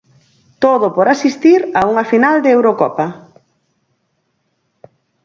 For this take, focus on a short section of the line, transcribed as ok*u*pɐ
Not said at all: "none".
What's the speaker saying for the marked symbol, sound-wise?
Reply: ɔ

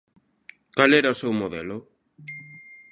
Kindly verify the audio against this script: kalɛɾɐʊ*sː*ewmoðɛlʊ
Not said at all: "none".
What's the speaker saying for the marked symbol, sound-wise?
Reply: s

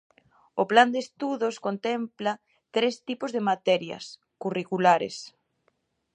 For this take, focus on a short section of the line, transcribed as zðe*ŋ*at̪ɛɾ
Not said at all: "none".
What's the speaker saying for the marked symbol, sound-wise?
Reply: m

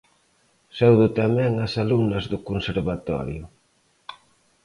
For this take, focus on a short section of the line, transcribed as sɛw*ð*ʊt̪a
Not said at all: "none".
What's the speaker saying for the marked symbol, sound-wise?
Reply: ð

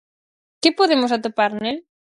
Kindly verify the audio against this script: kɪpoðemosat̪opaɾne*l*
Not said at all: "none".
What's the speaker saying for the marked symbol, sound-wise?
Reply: l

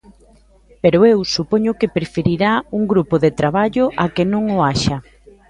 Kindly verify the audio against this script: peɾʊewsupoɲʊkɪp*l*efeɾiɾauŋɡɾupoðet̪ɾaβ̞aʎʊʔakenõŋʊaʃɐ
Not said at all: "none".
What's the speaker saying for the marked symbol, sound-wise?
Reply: ɾ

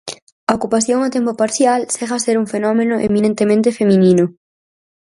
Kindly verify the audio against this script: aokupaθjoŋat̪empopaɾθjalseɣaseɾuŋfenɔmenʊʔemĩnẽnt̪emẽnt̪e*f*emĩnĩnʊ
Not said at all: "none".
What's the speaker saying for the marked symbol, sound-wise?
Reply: f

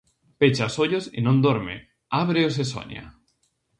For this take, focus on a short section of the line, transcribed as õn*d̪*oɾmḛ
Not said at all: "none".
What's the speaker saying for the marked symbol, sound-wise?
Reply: d̪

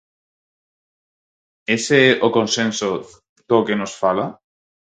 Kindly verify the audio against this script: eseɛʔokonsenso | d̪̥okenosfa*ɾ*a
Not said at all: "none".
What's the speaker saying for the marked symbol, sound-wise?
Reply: l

